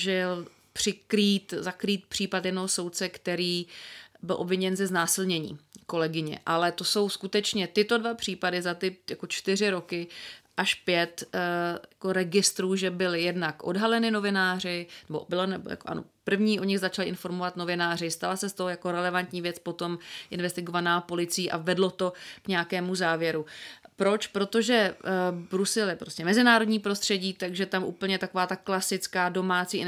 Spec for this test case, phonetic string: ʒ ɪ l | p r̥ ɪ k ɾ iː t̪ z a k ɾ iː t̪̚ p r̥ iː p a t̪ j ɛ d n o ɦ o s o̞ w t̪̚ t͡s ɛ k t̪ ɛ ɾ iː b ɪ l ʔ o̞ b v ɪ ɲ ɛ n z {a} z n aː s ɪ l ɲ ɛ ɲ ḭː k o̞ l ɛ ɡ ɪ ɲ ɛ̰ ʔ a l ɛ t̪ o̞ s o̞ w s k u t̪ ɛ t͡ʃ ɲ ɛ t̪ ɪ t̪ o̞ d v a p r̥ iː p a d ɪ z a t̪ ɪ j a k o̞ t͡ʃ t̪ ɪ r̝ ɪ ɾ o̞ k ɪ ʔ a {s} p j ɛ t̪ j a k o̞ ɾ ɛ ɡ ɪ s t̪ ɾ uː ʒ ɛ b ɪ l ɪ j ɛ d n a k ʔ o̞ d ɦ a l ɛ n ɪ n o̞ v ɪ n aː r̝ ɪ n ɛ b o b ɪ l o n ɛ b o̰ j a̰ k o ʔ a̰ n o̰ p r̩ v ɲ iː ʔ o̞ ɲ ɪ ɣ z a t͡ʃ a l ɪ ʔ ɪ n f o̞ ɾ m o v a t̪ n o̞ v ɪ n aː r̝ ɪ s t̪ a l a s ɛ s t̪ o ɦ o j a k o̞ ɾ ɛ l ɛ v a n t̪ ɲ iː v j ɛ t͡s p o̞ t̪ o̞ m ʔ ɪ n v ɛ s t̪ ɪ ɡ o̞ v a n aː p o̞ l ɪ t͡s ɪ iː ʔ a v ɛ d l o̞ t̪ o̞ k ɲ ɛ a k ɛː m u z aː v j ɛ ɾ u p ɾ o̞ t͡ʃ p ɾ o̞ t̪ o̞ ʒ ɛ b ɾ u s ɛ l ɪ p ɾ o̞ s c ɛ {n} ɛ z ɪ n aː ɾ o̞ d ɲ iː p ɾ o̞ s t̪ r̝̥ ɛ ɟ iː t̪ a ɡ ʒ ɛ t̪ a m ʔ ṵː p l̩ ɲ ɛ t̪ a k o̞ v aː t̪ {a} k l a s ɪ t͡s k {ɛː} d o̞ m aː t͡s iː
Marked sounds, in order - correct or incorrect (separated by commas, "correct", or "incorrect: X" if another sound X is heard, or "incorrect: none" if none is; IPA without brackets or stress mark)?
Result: incorrect: ɛ, incorrect: ʃ, incorrect: m, correct, incorrect: aː